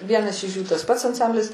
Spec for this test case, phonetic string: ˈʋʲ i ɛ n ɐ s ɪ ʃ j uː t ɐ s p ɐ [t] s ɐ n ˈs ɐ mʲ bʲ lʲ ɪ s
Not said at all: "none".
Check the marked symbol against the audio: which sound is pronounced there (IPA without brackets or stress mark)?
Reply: t